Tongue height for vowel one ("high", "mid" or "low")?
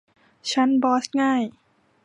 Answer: low